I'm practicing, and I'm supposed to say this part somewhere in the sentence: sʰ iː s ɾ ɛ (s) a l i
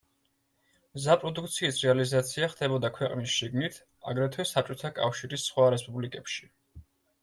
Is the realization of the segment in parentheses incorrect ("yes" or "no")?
yes